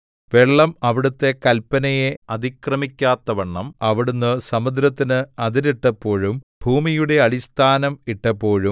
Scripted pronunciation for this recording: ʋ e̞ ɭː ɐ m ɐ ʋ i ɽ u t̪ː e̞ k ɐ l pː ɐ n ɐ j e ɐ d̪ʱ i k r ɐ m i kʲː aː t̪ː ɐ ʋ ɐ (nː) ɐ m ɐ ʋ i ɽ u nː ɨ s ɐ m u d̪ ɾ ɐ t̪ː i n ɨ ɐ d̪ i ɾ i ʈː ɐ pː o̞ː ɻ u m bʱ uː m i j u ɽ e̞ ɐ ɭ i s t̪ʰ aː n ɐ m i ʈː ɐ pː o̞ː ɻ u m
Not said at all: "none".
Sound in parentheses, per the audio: ɳː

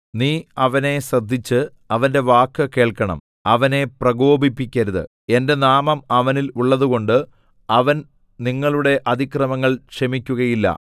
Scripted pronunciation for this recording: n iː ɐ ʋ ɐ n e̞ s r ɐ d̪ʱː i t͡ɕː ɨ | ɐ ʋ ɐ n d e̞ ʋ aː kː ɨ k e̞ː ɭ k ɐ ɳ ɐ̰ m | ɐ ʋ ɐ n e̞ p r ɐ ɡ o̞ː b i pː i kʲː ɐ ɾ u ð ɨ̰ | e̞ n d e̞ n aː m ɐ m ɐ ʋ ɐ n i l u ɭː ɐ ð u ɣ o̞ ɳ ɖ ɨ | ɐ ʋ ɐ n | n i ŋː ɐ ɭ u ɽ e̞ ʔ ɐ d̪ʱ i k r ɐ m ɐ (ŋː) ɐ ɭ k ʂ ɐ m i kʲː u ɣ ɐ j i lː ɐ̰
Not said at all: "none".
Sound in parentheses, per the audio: ŋː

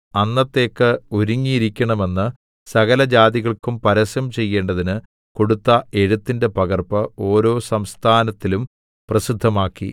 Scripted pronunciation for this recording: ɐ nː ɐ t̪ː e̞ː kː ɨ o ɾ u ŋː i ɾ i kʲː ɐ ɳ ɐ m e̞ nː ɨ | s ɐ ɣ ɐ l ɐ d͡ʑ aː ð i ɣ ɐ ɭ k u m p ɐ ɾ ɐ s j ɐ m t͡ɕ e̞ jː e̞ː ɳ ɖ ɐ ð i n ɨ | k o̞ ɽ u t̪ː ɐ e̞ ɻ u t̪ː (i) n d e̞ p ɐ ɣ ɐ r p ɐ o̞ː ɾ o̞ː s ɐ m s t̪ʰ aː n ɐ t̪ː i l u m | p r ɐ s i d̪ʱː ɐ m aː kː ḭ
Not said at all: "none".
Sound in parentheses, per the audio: i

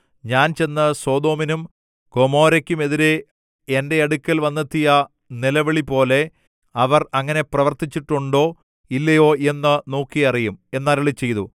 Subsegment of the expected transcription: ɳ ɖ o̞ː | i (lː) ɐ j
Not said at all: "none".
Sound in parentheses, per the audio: lː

